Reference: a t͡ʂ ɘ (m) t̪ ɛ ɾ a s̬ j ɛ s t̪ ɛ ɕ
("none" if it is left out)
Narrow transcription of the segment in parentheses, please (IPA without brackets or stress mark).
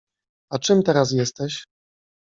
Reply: m